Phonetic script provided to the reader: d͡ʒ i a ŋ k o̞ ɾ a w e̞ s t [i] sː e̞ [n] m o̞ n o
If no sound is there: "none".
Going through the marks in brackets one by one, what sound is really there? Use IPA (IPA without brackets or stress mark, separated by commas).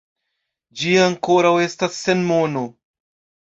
a, n